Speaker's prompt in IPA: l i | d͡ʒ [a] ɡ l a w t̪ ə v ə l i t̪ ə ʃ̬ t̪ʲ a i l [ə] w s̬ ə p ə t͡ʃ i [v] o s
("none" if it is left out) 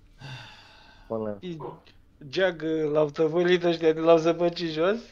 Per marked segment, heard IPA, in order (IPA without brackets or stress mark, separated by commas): a, a, ʒ